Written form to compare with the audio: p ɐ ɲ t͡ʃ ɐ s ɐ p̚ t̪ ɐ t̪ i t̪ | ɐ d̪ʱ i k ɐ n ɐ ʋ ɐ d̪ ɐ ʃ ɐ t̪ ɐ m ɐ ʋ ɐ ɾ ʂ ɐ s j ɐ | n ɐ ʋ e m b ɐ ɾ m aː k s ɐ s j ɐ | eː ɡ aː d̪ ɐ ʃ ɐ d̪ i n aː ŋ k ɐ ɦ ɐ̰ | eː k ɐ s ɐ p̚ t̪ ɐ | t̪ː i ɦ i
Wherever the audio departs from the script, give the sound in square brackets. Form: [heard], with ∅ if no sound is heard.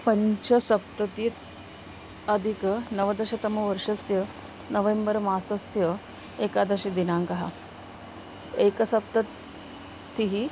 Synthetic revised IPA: p ɐ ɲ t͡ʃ ɐ s ɐ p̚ t̪ ɐ t̪ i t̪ | ɐ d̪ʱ i k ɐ n ɐ ʋ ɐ d̪ ɐ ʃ ɐ t̪ ɐ m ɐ ʋ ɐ ɾ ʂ ɐ s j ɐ | n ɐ ʋ e m b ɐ ɾ m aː [∅] s ɐ s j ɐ | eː [k] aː d̪ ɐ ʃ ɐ d̪ i n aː ŋ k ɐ ɦ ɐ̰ | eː k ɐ s ɐ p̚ t̪ ɐ | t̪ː i ɦ i